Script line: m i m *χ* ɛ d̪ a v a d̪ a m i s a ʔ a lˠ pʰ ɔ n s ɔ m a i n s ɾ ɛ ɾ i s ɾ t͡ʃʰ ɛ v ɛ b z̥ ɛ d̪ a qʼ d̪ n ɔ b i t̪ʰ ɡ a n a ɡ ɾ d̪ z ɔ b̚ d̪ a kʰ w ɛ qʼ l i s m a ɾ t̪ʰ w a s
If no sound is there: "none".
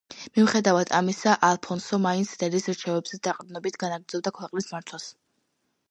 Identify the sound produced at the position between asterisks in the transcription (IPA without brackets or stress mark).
χ